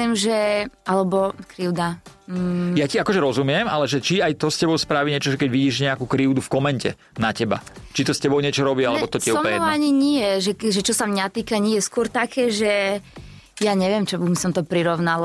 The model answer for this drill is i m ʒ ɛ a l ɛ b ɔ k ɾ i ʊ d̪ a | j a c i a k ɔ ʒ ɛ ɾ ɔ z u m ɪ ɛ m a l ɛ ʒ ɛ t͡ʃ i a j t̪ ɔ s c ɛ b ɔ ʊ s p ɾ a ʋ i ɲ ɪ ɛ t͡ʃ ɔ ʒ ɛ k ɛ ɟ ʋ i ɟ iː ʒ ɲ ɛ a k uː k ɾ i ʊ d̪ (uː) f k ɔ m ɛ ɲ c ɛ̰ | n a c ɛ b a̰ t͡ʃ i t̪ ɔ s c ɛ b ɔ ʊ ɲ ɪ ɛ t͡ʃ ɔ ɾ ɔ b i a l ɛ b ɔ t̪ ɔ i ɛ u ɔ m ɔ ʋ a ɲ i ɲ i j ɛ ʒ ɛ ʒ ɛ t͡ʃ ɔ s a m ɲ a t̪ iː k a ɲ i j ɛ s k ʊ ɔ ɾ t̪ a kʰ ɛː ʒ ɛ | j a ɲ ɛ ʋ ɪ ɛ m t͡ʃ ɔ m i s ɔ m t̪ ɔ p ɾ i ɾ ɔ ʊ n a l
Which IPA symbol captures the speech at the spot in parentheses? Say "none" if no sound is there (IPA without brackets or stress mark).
u